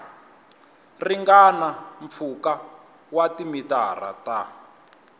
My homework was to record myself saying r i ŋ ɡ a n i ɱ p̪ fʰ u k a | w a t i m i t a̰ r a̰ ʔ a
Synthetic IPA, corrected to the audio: r i ŋ ɡ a n a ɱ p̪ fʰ u k a | w a t i m i t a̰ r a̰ t a

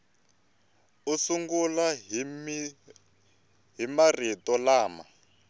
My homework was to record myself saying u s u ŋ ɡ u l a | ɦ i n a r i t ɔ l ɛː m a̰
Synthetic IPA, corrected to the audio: u s u ŋ ɡ u l a | ɦ i m a r i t ɔ l aː m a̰

